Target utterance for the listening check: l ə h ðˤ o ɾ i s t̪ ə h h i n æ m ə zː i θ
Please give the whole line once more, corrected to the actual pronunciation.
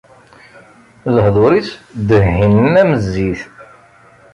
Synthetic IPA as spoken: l ə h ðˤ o ɾ i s d̪ ə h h i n æ m ə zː i θ